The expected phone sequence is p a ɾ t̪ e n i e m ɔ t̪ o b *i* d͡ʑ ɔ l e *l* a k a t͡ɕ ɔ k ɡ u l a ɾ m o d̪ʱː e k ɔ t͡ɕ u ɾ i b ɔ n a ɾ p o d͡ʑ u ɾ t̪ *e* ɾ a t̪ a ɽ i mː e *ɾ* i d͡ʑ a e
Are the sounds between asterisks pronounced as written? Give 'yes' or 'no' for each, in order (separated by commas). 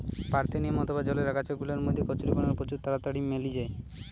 no, no, no, no